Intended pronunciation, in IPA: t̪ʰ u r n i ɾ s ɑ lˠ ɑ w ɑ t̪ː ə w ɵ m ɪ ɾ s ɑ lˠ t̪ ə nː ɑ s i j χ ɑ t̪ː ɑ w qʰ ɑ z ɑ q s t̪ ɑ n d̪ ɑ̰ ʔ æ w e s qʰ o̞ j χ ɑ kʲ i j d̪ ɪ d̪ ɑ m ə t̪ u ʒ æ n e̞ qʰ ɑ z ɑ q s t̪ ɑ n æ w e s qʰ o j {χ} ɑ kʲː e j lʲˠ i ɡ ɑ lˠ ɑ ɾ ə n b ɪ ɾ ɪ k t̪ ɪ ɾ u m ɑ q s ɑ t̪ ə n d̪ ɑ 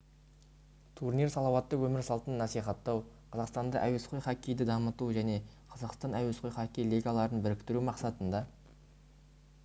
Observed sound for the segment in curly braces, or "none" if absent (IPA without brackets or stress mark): χ